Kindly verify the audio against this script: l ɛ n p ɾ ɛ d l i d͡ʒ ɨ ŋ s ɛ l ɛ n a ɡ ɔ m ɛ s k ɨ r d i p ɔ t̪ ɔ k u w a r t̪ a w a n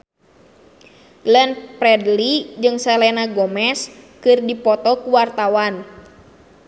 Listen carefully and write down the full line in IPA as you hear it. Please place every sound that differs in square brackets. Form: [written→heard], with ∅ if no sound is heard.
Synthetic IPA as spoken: l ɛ n p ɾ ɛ d l i d͡ʒ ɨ ŋ s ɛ l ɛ n a ɡ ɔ m ɛ s k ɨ r d i p ɔ t̪ ɔ k u w a r t̪ a w a n